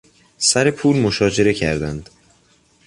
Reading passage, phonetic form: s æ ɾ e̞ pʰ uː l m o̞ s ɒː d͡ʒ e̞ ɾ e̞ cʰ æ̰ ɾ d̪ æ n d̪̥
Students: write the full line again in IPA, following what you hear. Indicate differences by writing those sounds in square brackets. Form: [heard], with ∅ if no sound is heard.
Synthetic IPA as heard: s æ ɾ e̞ pʰ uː l m o̞ [ʃ] ɒː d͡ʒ e̞ ɾ e̞ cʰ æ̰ ɾ d̪ æ n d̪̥